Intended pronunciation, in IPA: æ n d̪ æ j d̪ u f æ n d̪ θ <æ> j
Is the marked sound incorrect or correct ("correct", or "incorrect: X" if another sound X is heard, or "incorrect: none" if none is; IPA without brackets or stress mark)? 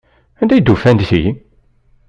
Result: incorrect: i